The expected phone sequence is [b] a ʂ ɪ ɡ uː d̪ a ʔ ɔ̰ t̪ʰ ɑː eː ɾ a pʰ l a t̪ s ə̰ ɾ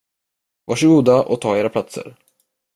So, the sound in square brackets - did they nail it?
no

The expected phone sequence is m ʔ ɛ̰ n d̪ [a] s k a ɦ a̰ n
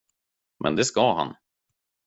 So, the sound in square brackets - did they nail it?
no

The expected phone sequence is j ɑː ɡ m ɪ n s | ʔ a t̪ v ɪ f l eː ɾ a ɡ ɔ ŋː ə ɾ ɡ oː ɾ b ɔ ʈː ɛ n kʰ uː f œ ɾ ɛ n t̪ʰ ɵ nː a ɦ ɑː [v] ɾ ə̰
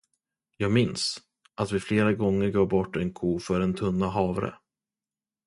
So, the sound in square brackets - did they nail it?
yes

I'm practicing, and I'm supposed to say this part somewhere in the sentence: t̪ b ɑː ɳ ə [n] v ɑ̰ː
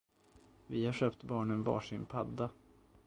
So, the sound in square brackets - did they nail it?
yes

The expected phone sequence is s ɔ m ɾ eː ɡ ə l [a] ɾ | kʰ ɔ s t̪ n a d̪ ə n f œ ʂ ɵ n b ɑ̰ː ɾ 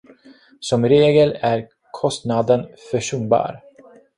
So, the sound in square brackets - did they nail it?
no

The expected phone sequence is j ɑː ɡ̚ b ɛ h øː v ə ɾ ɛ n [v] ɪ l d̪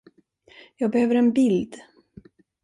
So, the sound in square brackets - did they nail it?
no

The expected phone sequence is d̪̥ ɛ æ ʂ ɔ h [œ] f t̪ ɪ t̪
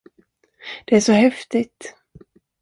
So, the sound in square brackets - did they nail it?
no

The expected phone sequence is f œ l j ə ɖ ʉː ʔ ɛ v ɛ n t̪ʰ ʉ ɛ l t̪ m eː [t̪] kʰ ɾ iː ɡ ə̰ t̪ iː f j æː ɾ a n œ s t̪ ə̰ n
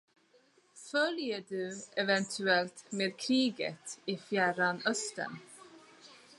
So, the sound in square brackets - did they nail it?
no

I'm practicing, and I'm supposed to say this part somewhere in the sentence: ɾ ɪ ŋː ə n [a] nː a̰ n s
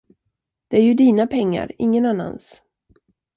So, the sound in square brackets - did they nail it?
yes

